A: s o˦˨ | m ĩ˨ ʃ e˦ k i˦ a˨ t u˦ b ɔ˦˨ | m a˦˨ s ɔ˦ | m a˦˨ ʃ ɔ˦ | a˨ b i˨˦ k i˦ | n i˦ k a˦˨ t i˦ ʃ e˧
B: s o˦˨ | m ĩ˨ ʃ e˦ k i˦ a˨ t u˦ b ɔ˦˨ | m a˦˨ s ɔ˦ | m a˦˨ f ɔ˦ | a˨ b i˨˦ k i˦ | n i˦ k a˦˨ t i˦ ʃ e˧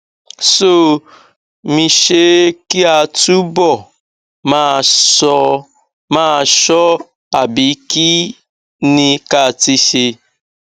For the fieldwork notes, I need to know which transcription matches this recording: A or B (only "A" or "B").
A